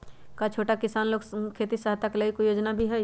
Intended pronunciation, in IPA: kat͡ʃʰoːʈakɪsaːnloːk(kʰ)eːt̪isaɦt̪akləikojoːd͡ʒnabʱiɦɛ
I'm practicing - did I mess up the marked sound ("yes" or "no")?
no